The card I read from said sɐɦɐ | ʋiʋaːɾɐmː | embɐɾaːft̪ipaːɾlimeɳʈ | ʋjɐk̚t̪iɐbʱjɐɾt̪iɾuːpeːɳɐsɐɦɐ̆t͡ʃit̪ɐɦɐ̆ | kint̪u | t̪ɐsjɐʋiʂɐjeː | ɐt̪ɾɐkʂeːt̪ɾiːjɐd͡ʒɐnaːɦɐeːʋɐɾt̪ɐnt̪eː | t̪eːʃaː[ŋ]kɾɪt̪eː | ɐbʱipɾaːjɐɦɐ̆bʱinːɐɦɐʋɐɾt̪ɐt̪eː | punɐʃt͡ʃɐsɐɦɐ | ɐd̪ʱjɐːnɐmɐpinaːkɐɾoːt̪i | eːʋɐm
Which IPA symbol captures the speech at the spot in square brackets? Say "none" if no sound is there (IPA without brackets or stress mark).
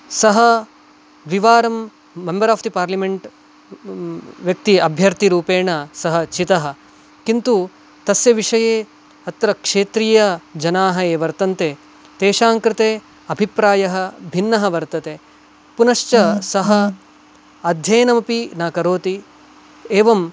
ŋ